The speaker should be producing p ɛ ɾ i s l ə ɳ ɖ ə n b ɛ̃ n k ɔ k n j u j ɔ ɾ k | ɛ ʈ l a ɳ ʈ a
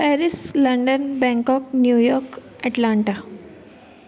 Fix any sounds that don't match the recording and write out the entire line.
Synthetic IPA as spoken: p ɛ ɾ i s l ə ɳ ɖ ə n b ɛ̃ ŋ k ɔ k n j u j ɔ ɾ k | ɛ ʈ l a ɳ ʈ a